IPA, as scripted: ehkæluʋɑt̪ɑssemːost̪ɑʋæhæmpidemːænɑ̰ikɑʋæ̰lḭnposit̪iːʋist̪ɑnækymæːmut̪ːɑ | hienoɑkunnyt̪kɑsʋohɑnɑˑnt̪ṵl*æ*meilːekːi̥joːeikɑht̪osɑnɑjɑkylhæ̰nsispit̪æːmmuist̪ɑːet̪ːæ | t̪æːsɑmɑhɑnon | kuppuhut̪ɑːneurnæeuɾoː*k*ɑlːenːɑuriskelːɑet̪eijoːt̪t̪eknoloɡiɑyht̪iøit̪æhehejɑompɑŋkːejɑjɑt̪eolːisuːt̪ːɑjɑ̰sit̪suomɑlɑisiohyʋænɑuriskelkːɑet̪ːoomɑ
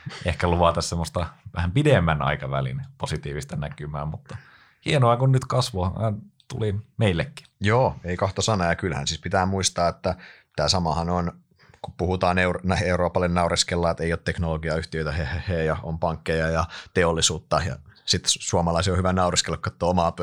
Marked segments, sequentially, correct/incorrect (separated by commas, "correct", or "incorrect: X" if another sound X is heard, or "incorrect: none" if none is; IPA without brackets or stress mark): incorrect: i, incorrect: p